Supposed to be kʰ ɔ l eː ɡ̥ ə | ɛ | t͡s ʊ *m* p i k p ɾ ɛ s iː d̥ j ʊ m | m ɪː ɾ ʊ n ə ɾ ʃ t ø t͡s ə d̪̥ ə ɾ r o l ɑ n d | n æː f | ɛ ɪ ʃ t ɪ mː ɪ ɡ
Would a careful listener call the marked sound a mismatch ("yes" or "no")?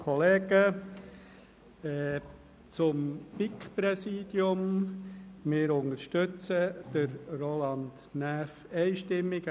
no